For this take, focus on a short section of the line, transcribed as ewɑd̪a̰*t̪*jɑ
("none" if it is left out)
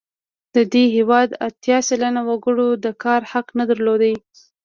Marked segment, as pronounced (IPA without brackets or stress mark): t̪